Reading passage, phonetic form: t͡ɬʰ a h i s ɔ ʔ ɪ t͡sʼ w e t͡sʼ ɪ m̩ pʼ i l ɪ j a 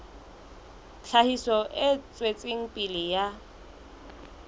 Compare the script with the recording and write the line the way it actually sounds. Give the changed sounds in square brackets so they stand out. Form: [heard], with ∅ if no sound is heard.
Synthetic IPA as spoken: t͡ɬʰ a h i s ɔ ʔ ɪ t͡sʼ w e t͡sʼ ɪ [ŋ̩] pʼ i l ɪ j a

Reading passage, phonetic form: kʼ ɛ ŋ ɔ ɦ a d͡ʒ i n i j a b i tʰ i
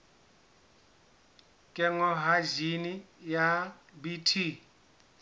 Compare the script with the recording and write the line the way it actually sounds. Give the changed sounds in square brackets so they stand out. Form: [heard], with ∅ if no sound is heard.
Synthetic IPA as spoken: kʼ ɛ ŋ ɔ ɦ a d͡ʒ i n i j a b i tʰ i

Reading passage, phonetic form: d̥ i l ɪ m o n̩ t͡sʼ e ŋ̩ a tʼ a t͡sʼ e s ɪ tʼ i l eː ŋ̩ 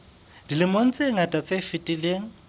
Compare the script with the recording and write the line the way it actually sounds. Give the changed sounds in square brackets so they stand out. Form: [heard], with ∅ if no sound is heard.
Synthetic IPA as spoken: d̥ i l ɪ m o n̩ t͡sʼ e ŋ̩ a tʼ a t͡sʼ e [f] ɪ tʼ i l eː ŋ̩

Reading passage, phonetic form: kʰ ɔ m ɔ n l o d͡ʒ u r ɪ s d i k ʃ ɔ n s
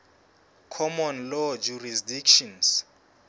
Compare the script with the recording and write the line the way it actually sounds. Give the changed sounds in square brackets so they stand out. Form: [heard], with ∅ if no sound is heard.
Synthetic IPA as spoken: kʰ ɔ m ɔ n l [ɔ] d͡ʒ u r [i] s d i k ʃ ɔ n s

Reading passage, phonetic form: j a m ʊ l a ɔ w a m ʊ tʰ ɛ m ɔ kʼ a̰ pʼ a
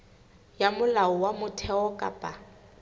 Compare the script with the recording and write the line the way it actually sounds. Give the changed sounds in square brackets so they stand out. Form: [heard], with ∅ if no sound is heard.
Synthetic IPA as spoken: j a m ʊ l a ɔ w a m ʊ tʰ ɛ [∅] ɔ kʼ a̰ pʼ a

